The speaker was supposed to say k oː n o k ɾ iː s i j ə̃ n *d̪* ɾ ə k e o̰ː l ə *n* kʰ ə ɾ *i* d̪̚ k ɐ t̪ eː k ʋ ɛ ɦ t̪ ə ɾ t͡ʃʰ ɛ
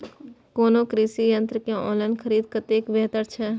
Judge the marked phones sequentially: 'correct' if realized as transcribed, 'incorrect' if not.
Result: incorrect: t̪, correct, incorrect: iː

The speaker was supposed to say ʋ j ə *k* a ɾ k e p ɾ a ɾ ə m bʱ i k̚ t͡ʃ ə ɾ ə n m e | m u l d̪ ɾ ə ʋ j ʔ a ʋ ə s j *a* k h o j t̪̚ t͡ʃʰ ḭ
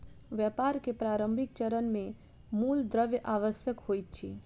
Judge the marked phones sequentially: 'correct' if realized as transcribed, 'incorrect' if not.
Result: incorrect: p, incorrect: ə

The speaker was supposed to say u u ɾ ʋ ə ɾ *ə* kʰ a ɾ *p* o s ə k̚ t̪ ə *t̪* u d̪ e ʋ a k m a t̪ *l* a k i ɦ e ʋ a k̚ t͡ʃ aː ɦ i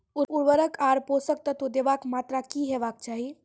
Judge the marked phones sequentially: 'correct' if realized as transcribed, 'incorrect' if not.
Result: correct, correct, correct, incorrect: ɾ

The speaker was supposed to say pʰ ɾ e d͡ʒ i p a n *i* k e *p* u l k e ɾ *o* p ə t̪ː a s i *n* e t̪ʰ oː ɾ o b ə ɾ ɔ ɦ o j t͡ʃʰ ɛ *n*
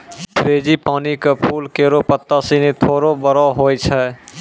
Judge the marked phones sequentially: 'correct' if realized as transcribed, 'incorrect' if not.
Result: correct, incorrect: pʰ, correct, correct, incorrect: none

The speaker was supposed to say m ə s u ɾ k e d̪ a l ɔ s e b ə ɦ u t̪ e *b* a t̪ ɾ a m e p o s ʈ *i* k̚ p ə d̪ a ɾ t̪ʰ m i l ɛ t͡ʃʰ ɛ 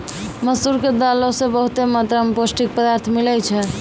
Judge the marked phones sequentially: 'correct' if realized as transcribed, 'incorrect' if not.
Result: incorrect: m, correct

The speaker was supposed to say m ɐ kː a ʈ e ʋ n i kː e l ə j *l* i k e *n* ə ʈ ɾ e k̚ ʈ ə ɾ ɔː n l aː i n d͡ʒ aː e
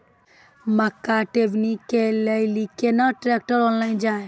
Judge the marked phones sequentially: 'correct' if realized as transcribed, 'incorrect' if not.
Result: correct, correct

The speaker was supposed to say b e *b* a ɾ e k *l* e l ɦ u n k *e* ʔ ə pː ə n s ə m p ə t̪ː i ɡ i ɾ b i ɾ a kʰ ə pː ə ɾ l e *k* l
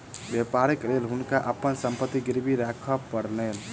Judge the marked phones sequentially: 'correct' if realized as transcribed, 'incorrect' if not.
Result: incorrect: p, correct, incorrect: a, incorrect: none

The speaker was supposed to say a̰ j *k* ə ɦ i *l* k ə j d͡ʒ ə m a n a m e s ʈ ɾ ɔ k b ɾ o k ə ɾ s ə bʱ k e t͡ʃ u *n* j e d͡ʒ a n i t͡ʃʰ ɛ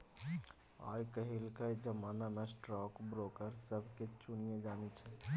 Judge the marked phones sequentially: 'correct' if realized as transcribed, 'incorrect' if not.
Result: correct, correct, correct

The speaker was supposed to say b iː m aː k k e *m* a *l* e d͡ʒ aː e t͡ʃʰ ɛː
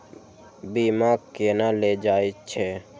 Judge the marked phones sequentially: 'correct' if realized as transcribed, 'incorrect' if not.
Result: incorrect: n, correct

